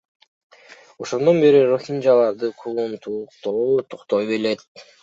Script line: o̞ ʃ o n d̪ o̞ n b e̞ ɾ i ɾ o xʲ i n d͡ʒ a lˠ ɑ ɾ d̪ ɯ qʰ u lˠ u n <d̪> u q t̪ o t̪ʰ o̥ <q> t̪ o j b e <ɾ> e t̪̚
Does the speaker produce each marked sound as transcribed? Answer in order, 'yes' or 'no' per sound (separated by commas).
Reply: no, yes, no